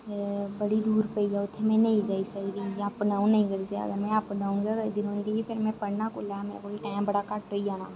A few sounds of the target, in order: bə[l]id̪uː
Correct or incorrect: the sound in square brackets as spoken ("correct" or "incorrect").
incorrect